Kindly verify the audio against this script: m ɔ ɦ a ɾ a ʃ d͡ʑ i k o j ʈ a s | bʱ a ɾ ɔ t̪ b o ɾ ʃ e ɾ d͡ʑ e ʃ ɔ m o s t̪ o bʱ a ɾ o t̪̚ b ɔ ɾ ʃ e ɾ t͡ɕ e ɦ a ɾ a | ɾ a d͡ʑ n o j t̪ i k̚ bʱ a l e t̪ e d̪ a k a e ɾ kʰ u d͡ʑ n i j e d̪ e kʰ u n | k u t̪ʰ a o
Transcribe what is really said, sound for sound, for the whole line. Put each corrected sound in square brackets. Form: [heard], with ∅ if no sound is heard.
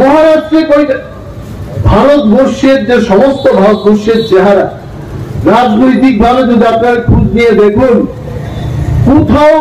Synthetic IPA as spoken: m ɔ ɦ a ɾ a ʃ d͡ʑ [e] k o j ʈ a [∅] | bʱ a ɾ [o] t̪ b o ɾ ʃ e ɾ d͡ʑ e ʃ ɔ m o s t̪ o bʱ a ɾ o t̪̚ b [o] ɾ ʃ e ɾ t͡ɕ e ɦ a ɾ a | ɾ a d͡ʑ n o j t̪ i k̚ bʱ a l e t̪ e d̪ a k a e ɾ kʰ u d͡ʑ n i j e d̪ e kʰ u n | k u t̪ʰ a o